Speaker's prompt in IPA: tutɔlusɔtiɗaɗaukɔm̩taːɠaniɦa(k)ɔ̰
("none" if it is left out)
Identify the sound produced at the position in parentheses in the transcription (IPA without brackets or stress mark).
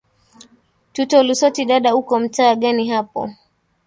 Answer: p